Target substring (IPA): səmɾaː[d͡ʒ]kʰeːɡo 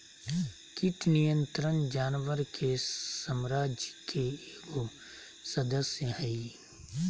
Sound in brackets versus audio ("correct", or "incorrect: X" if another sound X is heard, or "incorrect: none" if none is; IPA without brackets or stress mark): correct